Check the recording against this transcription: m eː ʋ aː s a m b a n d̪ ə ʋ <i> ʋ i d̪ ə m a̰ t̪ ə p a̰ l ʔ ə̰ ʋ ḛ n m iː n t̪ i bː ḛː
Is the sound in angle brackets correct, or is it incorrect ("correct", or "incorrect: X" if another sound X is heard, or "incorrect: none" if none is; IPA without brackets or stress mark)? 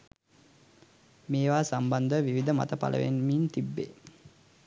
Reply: correct